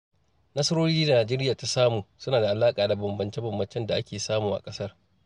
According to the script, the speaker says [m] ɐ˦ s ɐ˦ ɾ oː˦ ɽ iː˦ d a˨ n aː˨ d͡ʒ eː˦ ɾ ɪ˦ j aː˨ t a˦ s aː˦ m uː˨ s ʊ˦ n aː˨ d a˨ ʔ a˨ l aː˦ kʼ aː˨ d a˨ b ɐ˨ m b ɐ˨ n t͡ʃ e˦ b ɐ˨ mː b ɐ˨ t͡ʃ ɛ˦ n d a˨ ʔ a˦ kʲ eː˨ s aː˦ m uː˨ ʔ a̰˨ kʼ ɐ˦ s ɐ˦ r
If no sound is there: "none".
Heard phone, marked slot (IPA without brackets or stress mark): n